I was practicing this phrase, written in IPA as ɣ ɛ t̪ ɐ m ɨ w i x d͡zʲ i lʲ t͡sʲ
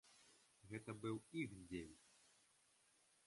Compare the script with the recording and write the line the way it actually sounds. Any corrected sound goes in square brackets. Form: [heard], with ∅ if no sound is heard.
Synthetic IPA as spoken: ɣ ɛ t̪ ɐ [b] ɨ w i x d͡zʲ [e] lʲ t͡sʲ